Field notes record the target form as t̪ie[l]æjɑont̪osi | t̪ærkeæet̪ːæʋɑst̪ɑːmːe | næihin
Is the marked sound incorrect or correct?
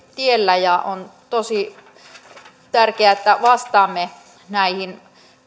incorrect: lː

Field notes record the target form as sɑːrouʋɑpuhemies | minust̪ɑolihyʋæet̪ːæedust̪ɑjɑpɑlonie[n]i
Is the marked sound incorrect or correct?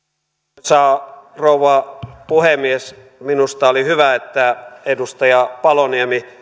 incorrect: m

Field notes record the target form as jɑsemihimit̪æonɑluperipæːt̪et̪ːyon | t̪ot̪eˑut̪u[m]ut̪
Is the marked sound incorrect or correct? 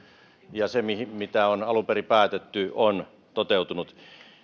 incorrect: n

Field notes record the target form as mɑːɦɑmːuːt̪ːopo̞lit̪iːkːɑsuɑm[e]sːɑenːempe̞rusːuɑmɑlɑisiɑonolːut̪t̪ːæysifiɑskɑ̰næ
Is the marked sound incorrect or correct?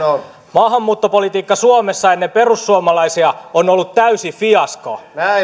correct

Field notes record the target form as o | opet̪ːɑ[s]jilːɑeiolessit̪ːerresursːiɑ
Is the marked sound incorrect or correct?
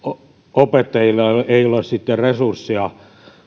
incorrect: none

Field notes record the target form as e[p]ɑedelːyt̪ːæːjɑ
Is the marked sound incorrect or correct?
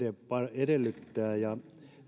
correct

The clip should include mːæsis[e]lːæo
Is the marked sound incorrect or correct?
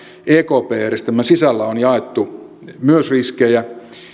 incorrect: æ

